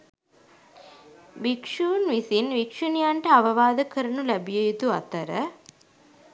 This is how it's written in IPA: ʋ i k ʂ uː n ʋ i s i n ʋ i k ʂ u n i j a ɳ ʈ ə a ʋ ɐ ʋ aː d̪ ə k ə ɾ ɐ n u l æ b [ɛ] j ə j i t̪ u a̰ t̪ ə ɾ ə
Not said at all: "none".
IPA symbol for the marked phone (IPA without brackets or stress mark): i